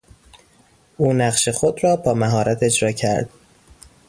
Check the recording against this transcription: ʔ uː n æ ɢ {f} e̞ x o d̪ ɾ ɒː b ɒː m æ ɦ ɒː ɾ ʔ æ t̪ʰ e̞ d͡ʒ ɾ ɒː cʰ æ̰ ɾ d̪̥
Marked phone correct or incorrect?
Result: incorrect